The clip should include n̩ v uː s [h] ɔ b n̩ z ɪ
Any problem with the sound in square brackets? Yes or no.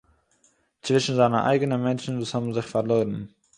no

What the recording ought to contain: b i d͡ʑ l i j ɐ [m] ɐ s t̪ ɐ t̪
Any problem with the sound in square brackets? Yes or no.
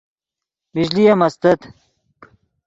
no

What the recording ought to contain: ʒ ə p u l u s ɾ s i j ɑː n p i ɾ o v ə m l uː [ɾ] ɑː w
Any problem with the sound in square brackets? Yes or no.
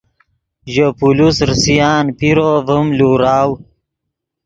no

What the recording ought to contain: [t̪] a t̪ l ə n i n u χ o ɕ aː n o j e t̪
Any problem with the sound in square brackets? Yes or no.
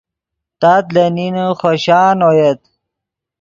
no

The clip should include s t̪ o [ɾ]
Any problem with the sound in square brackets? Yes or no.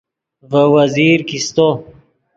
yes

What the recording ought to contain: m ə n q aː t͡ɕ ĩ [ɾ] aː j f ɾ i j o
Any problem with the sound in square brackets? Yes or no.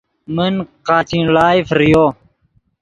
yes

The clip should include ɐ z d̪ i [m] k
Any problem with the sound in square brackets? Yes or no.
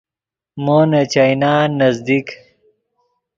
yes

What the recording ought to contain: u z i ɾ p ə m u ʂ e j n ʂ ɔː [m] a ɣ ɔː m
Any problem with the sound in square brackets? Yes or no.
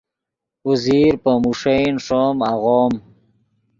no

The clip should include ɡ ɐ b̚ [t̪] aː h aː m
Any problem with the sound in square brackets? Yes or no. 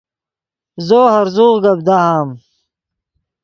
yes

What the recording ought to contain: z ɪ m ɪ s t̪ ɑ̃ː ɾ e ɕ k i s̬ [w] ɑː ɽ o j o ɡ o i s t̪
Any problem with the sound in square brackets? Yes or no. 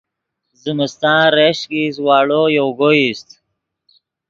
no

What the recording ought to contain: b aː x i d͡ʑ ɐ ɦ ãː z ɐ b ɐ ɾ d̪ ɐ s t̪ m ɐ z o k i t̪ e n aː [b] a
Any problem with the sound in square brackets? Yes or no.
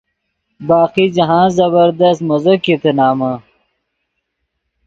yes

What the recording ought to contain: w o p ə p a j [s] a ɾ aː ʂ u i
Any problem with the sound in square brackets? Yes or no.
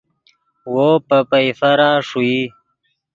yes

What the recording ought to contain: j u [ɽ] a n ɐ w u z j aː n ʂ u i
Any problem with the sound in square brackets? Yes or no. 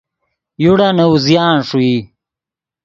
no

